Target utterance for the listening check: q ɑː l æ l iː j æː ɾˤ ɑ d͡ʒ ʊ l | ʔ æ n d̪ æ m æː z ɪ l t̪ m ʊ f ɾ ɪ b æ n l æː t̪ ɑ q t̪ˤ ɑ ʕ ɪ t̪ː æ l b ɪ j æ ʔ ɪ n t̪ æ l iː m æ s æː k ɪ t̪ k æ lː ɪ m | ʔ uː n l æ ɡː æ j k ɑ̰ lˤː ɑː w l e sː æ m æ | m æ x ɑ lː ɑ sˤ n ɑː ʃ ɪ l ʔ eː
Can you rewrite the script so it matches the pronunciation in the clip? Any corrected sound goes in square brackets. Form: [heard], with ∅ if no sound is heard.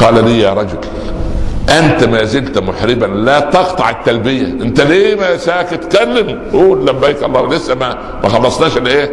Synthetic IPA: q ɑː l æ l iː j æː ɾˤ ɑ d͡ʒ ʊ l | ʔ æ n [t̪] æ m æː z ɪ l t̪ m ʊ [ħ] ɾ ɪ b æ n l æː t̪ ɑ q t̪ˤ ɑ ʕ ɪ t̪ː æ l b ɪ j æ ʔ ɪ n t̪ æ l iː m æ s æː k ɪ t̪ k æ lː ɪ m | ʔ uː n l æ [bː] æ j k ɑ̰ lˤː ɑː w l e sː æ m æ | m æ x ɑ lː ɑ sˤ n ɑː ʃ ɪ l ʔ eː